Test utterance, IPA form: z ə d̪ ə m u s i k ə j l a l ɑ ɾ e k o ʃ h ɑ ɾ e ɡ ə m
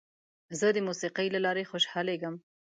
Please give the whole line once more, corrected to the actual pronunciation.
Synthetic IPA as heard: z ə d̪ ə m u s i q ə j l a l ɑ ɾ e x o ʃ h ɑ l e ɡ ə m